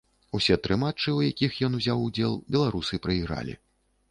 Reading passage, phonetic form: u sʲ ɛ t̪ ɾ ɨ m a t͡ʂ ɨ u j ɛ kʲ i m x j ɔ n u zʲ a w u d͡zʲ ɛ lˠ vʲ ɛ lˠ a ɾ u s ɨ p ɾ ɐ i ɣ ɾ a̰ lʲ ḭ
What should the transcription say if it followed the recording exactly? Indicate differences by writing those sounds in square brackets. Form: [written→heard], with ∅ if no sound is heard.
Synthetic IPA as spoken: u sʲ ɛ t̪ ɾ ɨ m a t͡ʂ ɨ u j [ɛ→a] kʲ i [m→∅] x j ɔ n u zʲ a w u d͡zʲ ɛ lˠ [vʲ→bʲ] ɛ lˠ a ɾ u s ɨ p ɾ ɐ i ɣ ɾ a̰ lʲ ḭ